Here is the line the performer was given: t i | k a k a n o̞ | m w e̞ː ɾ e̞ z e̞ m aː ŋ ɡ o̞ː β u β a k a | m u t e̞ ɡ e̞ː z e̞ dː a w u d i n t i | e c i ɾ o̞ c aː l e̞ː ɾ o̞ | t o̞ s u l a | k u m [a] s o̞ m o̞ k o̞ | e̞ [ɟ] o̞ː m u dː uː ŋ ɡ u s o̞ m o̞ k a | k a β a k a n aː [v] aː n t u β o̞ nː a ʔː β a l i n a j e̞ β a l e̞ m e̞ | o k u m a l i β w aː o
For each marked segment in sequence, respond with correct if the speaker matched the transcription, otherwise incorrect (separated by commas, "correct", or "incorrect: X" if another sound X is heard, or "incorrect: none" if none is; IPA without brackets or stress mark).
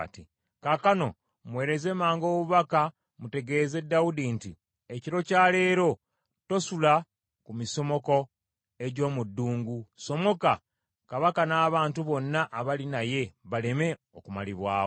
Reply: incorrect: i, correct, incorrect: β